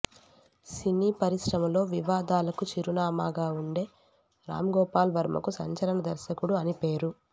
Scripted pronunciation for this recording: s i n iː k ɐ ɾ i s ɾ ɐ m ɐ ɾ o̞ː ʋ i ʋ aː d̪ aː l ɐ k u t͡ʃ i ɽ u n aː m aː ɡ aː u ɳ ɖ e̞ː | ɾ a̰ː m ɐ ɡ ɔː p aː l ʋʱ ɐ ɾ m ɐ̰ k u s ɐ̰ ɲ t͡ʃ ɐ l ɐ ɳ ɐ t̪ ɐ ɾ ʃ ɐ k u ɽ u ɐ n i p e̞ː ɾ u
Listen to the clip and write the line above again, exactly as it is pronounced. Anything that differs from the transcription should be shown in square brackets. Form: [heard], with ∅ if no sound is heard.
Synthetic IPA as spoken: s i n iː [p] ɐ ɾ i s ɾ ɐ m ɐ [l] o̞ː ʋ i ʋ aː d̪ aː l ɐ k u t͡ʃ i [ɾ] u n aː m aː ɡ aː u ɳ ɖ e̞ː | ɾ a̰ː m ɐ ɡ ɔː p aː l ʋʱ ɐ ɾ m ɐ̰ k u s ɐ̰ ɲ t͡ʃ ɐ l ɐ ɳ ɐ [d̪] ɐ ɾ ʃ ɐ k u ɽ u ɐ n i p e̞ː ɾ u

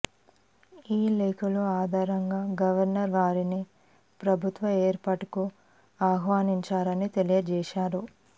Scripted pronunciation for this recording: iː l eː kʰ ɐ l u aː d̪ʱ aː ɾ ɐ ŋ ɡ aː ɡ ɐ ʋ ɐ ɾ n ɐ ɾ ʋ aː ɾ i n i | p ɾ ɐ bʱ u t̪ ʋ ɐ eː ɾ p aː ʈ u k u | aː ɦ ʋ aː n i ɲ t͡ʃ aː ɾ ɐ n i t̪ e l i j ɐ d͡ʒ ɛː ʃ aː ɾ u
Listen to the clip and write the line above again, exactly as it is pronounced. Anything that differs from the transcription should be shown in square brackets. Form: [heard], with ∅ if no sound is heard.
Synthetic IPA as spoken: iː l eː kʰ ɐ l u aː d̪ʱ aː ɾ ɐ ŋ ɡ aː ɡ ɐ ʋ ɐ ɾ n ɐ ɾ ʋ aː ɾ i n i | p ɾ ɐ bʱ u t̪ ʋ ɐ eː ɾ p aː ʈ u k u | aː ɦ ʋ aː n i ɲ t͡ʃ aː ɾ ɐ n i t̪ e l i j ɐ d͡ʒ ɛː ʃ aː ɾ u

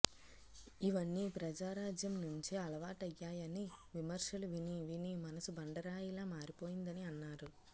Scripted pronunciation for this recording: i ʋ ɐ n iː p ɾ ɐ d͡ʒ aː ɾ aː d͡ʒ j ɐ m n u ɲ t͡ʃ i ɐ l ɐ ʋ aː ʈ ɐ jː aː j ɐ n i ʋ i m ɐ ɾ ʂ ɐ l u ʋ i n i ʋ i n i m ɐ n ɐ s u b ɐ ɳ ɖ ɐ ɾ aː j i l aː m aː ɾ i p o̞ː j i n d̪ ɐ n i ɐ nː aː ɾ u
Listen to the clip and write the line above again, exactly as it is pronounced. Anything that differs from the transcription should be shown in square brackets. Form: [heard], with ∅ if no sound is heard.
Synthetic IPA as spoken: i ʋ ɐ [nː] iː p ɾ ɐ d͡ʒ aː ɾ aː d͡ʒ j ɐ m n u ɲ t͡ʃ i ɐ l ɐ ʋ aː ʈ ɐ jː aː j ɐ n i ʋ i m ɐ ɾ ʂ ɐ l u ʋ i n i ʋ i n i m ɐ n ɐ s u b ɐ ɳ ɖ ɐ ɾ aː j i l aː m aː ɾ i p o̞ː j i n d̪ ɐ n i ɐ nː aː ɾ u

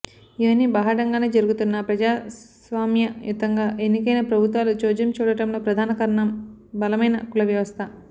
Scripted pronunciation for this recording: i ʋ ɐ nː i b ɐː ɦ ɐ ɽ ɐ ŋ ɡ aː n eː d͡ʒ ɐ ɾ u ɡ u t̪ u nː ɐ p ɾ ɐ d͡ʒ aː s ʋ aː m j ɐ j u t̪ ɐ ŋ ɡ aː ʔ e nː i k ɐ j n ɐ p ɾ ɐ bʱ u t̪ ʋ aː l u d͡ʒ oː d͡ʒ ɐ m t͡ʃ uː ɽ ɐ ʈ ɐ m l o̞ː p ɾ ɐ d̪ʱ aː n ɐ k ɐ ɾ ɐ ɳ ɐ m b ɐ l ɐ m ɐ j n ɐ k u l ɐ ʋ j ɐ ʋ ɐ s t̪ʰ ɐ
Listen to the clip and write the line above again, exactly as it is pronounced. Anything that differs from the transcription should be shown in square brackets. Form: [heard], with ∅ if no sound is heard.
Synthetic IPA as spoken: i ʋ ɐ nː i b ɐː ɦ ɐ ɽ ɐ ŋ ɡ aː n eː d͡ʒ ɐ ɾ u ɡ u t̪ u nː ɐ p ɾ ɐ d͡ʒ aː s ʋ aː m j ɐ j u t̪ ɐ ŋ ɡ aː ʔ e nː i k ɐ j n ɐ p ɾ ɐ bʱ u t̪ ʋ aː l u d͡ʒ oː d͡ʒ ɐ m t͡ʃ uː ɽ ɐ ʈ ɐ m l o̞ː p ɾ ɐ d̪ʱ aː n ɐ k ɐ ɾ ɐ ɳ ɐ m b ɐ l ɐ m ɐ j n ɐ k u l ɐ ʋ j ɐ ʋ ɐ s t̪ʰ ɐ

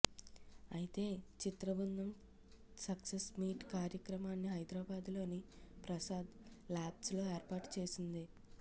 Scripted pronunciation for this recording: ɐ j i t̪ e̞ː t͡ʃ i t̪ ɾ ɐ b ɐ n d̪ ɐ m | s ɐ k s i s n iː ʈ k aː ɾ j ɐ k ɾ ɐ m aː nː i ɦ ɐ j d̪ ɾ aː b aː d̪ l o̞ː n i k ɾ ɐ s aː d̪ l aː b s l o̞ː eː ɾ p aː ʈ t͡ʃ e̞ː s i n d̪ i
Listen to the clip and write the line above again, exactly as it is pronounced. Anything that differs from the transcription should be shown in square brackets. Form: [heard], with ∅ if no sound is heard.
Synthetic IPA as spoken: ɐ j i t̪ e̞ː t͡ʃ i t̪ ɾ ɐ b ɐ n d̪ ɐ m | s ɐ k s [e] s [m] iː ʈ k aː ɾ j ɐ k ɾ ɐ m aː nː i ɦ ɐ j d̪ ɾ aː b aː d̪ l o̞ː n i [p] ɾ ɐ s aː d̪ l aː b s l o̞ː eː ɾ p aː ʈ t͡ʃ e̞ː s i n d̪ i

